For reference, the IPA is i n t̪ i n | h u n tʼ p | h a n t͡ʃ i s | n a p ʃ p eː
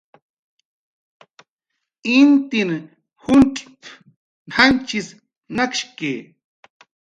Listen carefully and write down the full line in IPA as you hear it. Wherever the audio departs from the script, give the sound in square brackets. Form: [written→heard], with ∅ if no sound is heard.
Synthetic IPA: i n t̪ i n | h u n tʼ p | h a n t͡ʃ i s | n a [p→k] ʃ [p→k] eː

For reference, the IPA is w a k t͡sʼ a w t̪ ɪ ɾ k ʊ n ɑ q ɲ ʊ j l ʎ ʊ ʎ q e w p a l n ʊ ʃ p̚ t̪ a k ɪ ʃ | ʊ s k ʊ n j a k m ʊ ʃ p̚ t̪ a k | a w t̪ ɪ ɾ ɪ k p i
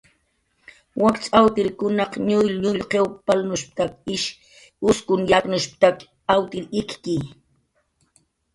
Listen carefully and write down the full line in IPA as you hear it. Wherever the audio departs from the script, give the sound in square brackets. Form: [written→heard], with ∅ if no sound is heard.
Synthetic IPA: w a k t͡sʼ a w t̪ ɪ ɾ k ʊ n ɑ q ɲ ʊ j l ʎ ʊ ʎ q e w p a l n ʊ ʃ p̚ t̪ a k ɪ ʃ | ʊ s k ʊ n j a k [m→n] ʊ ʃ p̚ t̪ a k | a w t̪ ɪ ɾ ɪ k [p→k] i

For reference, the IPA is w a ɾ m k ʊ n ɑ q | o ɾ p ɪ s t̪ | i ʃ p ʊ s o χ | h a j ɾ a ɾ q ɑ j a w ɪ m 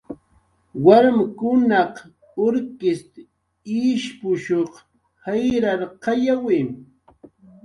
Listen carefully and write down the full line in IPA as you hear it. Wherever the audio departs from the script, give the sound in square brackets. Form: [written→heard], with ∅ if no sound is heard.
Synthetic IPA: w a ɾ m k ʊ n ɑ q | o ɾ [p→k] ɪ s t̪ | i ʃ p ʊ [s→ʃ] o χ | h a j ɾ a ɾ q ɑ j a w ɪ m

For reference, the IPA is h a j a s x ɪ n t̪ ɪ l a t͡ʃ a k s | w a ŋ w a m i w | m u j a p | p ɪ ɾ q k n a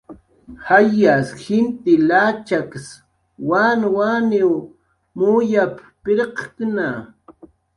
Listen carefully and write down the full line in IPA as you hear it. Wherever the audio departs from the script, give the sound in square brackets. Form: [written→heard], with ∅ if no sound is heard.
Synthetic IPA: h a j a s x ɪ n t̪ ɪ l a t͡ʃ a k s | w a [ŋ→n] w a [m→n] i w | m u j a p | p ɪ ɾ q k n a

